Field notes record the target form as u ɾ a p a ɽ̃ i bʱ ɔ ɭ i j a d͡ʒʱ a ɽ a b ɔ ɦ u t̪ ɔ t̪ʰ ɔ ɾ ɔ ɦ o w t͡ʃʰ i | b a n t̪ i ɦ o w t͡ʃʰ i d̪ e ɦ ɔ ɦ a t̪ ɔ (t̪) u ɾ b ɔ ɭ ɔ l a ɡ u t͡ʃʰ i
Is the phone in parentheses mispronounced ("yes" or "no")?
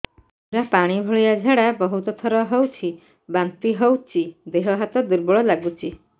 yes